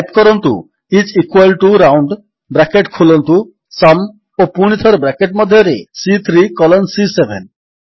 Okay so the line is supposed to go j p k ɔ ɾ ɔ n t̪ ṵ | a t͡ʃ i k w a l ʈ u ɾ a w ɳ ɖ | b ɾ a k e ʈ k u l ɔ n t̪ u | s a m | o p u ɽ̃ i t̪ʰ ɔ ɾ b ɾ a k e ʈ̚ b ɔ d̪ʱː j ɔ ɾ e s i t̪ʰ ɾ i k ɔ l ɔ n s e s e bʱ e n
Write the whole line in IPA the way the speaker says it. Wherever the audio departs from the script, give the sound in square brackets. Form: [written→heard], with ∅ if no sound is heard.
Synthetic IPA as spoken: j p k ɔ ɾ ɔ n t̪ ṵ | [a→i] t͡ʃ i k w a l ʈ u ɾ a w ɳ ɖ | b ɾ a k e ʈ [k→kʰ] u l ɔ n t̪ u | s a m | o p u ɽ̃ i t̪ʰ ɔ ɾ b ɾ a k e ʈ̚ [b→m] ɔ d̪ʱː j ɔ ɾ e s i t̪ʰ ɾ i k ɔ l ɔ n s [e→i] s e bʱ e n